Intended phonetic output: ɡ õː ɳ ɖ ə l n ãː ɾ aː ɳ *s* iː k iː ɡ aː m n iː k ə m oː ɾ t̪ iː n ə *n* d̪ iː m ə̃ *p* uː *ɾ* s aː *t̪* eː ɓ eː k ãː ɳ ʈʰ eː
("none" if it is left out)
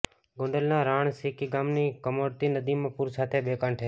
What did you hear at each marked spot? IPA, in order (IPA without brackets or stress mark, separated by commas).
s, none, p, ɾ, t̪ʰ